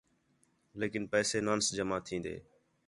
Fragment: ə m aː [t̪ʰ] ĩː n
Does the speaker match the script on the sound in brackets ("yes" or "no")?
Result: yes